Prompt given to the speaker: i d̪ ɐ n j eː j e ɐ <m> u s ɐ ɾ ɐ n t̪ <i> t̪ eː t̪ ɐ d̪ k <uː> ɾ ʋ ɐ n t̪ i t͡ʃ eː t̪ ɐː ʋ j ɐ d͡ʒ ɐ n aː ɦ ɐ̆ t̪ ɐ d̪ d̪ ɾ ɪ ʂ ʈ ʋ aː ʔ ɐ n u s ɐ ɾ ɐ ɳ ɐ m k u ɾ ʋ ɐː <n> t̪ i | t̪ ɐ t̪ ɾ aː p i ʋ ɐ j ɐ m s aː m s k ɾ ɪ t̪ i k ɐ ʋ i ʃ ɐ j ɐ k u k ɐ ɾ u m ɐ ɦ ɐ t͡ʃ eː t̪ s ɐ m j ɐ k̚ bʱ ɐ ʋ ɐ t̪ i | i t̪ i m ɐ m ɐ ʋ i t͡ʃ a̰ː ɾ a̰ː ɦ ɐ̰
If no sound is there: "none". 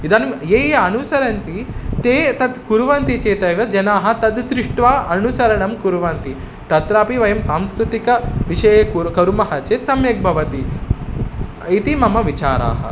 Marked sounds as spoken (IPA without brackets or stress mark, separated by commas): n, i, u, n